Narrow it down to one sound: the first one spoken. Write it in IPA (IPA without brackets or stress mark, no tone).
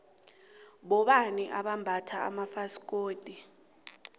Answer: ɓ